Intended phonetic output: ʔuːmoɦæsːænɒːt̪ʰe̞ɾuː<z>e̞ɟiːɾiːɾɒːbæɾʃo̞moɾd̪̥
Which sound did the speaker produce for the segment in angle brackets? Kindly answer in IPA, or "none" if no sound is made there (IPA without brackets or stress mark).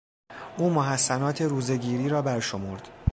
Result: z